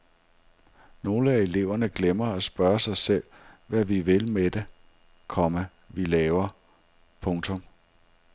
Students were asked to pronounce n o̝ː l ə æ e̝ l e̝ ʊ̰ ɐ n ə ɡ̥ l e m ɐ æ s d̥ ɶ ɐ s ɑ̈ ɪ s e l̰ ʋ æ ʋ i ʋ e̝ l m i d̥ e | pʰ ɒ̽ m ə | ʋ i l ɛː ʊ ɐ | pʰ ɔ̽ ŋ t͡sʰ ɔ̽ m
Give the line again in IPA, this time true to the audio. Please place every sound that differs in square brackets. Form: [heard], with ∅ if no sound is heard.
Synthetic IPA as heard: n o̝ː l ə æ e̝ l e̝ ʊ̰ ɐ n ə ɡ̥ l e m ɐ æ s [b̥] ɶ ɐ s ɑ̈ ɪ s e l̰ ʋ æ ʋ i ʋ e̝ l m [e] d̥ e | [kʰ] ɒ̽ m ə | ʋ i l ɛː ʊ ɐ | pʰ ɔ̽ ŋ t͡sʰ ɔ̽ m